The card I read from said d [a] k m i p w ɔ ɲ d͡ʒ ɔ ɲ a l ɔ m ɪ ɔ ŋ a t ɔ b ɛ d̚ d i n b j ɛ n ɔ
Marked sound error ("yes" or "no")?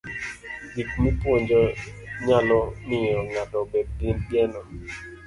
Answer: yes